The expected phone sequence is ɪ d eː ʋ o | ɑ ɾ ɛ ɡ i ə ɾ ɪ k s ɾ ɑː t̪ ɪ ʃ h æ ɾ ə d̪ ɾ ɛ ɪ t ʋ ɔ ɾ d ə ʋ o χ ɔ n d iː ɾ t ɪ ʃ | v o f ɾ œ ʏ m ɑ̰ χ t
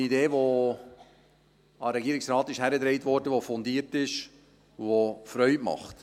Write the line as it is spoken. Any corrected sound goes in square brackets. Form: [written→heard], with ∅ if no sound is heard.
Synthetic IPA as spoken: [ɪ→i] d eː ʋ o | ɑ ɾ ɛ ɡ i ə ɾ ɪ k s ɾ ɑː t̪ ɪ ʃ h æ ɾ ə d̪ ɾ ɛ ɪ t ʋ ɔ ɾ d ə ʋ o [χ→f] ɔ n d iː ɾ t ɪ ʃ | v o f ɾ œ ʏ m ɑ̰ χ t